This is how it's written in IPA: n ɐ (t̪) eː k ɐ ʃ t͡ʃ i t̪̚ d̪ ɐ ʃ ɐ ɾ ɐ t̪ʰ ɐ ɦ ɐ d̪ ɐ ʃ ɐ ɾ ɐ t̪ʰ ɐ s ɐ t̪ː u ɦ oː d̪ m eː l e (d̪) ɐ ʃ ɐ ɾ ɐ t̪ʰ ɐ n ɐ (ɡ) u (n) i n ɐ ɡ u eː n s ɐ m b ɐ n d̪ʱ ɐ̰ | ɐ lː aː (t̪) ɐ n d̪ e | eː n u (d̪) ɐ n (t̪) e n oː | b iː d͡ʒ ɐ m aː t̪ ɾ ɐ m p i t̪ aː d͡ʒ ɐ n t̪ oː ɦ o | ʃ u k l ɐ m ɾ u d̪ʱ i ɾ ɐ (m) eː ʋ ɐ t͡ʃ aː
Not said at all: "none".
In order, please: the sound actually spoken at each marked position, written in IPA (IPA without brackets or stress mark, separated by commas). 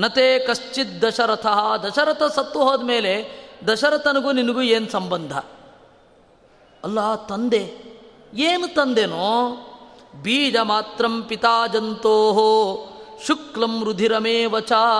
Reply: t̪, d̪, ɡ, n, t̪, t̪, d̪, m